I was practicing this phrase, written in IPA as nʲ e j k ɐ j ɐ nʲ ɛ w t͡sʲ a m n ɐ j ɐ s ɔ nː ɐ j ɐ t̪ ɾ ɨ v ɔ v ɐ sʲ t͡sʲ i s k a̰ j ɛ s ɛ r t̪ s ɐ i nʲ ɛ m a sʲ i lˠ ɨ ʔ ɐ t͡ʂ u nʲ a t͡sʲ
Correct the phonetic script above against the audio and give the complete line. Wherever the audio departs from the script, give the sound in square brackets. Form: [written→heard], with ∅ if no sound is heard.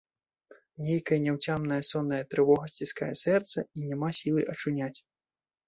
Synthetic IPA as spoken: nʲ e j k ɐ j ɐ nʲ ɛ w t͡sʲ a m n ɐ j ɐ s ɔ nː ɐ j ɐ t̪ ɾ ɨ v ɔ [v→ɣ] ɐ sʲ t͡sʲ i s k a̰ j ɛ s ɛ r t̪ s ɐ i nʲ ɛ m a sʲ i lˠ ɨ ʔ ɐ t͡ʂ u nʲ a t͡sʲ